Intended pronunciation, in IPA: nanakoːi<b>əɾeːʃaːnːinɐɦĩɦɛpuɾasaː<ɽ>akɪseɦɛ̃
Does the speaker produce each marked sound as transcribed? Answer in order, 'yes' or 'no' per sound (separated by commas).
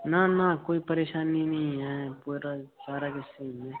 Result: no, no